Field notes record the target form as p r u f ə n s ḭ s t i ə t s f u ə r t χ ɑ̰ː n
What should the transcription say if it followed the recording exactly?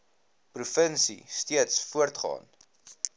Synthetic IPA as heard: p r u f ə n s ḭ s t i ə t s f u ə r t χ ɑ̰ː n